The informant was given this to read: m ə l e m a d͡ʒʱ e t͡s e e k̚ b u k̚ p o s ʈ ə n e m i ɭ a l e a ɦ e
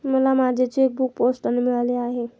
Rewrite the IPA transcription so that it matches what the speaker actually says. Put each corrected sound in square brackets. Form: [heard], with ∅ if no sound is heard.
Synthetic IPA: m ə l [a] m a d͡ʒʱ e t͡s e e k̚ b u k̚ p o s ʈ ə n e m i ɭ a l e a ɦ e